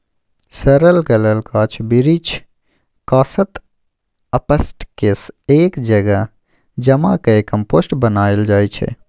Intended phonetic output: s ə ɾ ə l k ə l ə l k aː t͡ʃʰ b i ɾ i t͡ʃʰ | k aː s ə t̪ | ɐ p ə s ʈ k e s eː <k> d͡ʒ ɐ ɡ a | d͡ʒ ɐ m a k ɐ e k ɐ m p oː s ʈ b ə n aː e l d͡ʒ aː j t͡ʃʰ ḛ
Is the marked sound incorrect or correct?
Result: correct